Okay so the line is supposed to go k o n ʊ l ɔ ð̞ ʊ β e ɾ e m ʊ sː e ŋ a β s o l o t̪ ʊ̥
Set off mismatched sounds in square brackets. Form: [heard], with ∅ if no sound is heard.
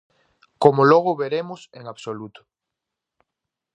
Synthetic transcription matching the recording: k o [m] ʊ l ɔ [ɣ̞] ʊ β e ɾ e m ʊ [s] e ŋ a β s o l [u] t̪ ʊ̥